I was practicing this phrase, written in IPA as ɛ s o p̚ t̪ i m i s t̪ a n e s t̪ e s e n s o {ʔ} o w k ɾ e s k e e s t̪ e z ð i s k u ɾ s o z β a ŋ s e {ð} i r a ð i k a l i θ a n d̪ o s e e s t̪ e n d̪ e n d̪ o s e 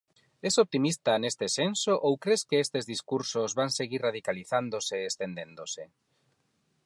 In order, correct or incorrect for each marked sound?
correct, incorrect

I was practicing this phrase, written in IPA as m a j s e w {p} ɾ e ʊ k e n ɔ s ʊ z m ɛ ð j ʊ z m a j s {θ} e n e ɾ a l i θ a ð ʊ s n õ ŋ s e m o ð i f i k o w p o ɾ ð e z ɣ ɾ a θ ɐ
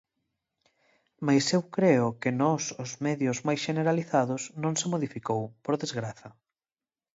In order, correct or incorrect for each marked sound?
incorrect, incorrect

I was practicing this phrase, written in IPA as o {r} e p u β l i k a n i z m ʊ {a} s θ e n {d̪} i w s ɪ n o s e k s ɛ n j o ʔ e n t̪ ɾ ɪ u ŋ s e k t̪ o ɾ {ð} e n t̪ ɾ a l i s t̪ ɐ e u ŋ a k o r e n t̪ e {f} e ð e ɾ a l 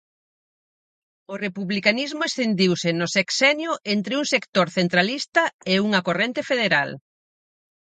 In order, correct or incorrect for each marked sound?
correct, incorrect, correct, incorrect, correct

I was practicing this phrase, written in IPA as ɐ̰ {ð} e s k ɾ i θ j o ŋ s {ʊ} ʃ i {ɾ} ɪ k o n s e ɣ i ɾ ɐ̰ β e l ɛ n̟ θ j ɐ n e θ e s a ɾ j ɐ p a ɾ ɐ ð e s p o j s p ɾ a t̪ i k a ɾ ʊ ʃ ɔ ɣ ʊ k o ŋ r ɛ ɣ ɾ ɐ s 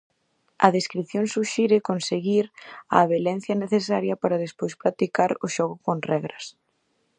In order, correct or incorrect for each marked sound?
correct, incorrect, correct

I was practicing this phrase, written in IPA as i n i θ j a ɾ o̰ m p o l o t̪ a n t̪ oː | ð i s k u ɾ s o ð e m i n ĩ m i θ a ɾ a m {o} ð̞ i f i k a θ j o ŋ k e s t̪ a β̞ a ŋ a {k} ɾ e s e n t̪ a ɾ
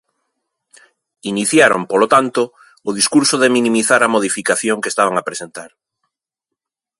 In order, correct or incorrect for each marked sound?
correct, incorrect

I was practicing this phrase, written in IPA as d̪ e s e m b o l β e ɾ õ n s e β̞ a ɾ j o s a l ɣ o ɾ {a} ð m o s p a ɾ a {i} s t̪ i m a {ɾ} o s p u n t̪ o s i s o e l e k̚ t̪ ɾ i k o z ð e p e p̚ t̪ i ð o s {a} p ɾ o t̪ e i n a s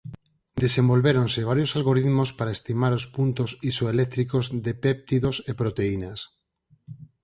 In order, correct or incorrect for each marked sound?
incorrect, incorrect, correct, incorrect

